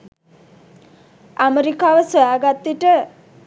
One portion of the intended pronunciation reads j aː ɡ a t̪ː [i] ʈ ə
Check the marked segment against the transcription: correct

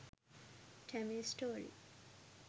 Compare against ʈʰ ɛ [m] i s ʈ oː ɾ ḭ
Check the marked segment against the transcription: correct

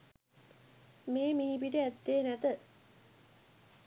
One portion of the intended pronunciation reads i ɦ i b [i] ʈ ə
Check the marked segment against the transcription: correct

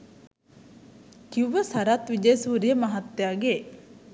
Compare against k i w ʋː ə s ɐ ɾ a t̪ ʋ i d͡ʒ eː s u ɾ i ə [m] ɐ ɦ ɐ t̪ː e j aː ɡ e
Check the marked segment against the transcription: correct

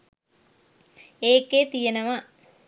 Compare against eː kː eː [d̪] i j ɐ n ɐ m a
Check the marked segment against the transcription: incorrect: t̪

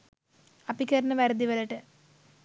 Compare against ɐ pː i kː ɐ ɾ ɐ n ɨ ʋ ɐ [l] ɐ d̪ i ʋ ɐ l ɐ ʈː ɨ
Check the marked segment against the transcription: incorrect: ɾ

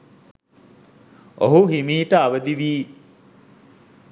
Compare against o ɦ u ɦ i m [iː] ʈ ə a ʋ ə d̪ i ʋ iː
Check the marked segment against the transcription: correct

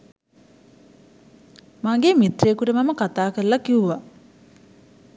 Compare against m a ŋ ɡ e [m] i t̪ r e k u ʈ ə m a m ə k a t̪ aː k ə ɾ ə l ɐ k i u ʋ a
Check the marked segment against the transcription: correct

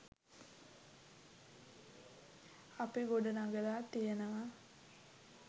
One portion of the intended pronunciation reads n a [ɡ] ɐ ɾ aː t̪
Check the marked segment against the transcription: correct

